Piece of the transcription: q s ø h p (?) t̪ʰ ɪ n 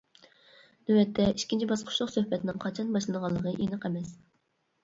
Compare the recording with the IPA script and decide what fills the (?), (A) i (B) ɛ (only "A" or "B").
B